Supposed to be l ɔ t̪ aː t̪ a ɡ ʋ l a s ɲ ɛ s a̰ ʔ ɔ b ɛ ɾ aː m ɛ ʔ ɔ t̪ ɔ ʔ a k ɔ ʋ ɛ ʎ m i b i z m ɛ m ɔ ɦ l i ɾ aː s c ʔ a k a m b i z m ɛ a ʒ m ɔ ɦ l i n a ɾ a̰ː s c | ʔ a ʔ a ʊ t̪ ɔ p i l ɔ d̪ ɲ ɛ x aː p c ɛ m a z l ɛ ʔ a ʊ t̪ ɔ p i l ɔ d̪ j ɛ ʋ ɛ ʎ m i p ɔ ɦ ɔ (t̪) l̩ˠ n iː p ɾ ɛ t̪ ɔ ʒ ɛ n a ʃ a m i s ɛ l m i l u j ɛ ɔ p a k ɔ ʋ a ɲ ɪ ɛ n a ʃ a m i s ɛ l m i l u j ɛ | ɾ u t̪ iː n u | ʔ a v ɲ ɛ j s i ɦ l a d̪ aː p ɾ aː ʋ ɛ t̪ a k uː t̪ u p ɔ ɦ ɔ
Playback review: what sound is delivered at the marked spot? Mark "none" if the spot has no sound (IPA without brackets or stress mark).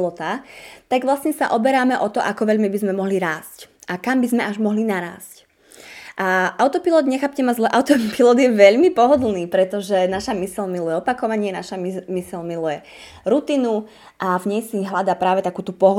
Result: d̪